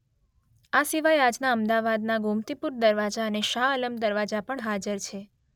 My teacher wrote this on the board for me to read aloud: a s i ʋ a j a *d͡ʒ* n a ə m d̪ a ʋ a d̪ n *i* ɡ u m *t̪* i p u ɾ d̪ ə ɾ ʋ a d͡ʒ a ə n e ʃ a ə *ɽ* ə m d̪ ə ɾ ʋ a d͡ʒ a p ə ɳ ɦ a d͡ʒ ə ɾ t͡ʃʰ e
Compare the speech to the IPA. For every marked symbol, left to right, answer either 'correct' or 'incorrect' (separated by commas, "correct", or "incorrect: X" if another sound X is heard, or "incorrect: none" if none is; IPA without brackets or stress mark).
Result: correct, incorrect: a, correct, incorrect: l